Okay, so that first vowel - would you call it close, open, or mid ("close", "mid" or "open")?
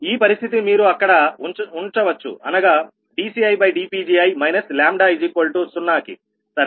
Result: close